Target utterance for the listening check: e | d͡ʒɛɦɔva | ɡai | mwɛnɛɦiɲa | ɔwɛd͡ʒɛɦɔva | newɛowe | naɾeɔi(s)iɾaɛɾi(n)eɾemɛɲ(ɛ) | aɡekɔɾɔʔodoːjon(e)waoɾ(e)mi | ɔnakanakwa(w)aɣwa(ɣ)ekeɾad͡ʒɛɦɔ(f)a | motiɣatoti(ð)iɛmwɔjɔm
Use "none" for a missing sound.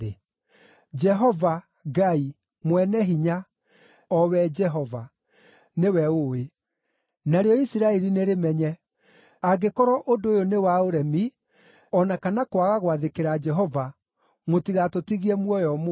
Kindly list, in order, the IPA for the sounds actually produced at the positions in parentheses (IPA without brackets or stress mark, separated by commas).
s, n, ɛ, e, ɛ, ɣ, ð, v, ɣ